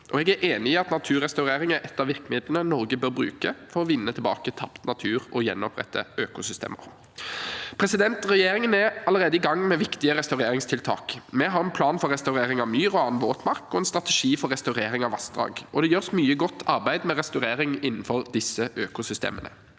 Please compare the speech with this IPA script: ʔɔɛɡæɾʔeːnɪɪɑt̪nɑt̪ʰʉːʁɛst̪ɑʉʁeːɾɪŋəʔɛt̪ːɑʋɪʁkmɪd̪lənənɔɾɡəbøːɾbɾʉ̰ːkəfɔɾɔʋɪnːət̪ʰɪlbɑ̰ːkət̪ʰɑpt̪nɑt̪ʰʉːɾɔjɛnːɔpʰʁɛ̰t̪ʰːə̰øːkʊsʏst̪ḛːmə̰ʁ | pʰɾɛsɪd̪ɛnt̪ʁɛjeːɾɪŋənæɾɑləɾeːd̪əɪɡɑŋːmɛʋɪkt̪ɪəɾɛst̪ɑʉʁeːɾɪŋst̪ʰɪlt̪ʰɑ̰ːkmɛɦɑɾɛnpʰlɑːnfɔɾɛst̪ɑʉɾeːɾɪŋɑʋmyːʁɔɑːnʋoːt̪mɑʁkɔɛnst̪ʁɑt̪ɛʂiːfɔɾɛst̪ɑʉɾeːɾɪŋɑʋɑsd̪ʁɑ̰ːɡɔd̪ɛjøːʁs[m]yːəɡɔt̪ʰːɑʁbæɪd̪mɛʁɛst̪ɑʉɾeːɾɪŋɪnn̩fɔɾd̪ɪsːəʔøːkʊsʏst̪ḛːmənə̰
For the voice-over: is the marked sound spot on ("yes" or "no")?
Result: yes